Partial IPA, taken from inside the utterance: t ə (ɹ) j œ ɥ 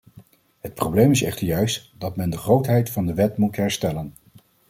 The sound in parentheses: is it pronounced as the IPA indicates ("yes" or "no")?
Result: yes